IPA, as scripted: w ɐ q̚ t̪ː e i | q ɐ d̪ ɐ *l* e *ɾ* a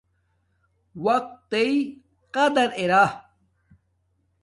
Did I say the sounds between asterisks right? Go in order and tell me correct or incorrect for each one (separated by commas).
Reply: incorrect, correct